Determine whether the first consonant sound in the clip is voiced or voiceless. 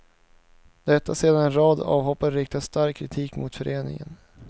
voiced